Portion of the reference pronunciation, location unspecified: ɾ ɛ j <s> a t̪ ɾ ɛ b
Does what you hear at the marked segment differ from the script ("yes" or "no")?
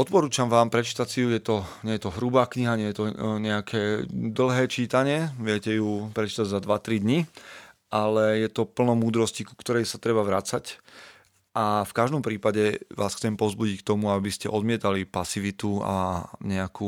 no